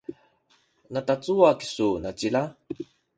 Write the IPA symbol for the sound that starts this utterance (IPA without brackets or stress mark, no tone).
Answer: n